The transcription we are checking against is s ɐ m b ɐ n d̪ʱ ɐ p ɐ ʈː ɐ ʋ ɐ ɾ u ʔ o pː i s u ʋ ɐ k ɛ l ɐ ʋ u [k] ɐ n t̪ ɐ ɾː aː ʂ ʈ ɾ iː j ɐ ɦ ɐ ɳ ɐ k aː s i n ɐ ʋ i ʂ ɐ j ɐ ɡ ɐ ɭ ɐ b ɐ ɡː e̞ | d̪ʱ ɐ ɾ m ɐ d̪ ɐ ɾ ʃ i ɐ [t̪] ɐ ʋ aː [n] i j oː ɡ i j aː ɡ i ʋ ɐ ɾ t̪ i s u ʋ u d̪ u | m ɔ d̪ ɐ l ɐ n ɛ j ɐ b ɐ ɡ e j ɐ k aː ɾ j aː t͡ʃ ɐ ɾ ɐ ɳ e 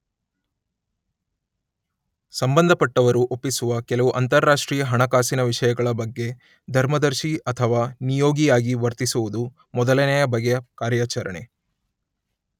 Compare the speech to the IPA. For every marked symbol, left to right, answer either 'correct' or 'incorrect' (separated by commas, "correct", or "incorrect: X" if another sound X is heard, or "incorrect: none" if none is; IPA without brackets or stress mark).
incorrect: ʔ, incorrect: t̪ʰ, correct